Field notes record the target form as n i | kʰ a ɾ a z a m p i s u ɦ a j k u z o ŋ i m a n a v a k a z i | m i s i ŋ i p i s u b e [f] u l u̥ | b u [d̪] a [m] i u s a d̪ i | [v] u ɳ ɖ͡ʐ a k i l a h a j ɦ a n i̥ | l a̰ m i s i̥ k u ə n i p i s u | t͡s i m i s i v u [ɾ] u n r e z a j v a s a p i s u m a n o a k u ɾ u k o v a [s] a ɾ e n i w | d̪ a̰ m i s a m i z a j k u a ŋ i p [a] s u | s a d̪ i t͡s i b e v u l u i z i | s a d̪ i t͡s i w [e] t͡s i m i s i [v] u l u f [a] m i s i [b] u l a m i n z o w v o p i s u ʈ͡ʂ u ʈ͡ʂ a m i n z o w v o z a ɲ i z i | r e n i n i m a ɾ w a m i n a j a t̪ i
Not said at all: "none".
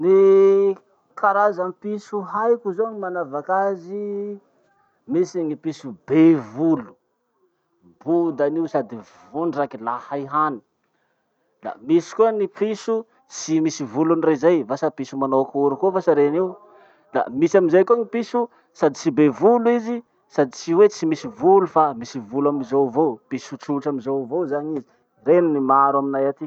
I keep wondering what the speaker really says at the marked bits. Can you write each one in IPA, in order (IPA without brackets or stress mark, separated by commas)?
v, d̪, n, v, l, s, i, e, v, a, v